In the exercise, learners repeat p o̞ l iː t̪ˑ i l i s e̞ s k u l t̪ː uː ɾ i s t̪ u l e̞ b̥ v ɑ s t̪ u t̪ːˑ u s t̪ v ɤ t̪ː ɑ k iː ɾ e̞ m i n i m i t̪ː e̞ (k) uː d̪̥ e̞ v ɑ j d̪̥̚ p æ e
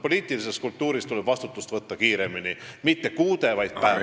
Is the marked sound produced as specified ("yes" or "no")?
yes